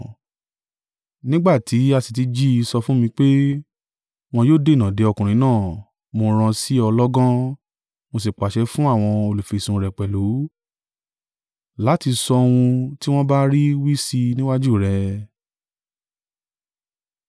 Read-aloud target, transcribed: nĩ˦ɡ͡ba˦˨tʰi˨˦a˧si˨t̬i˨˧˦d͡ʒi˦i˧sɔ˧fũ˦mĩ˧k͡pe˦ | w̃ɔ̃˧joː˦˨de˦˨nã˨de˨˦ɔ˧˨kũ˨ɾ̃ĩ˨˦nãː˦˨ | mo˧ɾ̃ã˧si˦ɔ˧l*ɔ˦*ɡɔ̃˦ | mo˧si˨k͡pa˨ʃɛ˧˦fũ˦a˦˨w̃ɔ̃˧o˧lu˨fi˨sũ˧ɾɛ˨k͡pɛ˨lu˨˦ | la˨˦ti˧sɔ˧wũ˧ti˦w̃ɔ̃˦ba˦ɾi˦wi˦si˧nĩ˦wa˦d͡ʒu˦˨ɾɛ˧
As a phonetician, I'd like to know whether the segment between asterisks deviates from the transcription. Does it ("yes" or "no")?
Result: no